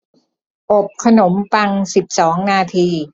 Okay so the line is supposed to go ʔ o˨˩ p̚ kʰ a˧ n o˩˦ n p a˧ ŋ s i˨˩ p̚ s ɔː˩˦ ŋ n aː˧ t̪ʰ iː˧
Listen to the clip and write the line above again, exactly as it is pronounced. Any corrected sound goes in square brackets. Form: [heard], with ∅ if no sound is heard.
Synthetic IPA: ʔ o˨˩ p̚ kʰ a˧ n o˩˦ [m] p a˧ ŋ s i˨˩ p̚ s ɔː˩˦ ŋ n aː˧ t̪ʰ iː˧

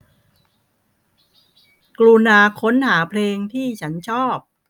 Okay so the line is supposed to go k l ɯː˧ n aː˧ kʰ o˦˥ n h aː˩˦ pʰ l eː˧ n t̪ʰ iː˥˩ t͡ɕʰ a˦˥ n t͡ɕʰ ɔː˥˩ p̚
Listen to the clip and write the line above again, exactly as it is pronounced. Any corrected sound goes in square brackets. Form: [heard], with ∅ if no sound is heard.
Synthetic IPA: k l [uː˧] n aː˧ kʰ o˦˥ n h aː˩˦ pʰ l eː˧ [ŋ] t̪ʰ iː˥˩ t͡ɕʰ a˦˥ n t͡ɕʰ ɔː˥˩ p̚

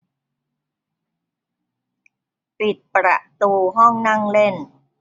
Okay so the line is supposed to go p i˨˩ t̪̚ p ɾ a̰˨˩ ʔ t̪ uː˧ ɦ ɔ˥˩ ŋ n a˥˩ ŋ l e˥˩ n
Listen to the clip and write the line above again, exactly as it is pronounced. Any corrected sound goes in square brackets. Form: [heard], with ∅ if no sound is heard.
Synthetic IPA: p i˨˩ t̪̚ p ɾ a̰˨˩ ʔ t̪ uː˧ ɦ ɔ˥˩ ŋ n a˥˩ ŋ l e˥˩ n

